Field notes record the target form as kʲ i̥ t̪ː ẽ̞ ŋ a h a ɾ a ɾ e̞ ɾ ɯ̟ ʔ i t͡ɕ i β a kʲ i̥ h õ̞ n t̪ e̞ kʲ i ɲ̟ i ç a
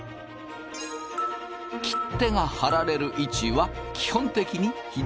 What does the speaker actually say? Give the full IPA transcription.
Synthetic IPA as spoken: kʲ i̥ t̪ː e̞ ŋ a h a ɾ a ɾ e̞ ɾ ɯ̟ ʔ i t͡ɕ i β a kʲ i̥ h õ̞ n t̪ e̞ kʲ i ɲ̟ i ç i